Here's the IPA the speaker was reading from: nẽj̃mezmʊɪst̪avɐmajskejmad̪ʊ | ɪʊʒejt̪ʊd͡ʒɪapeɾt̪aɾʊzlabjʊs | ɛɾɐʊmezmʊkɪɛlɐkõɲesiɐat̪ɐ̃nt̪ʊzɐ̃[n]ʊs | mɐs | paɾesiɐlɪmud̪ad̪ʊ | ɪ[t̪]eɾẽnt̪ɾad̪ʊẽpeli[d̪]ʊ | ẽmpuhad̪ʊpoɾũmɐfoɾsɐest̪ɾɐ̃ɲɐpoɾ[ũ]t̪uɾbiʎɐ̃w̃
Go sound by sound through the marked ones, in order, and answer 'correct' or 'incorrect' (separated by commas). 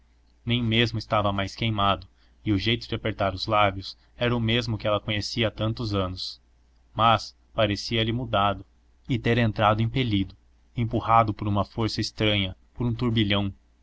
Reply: correct, correct, correct, correct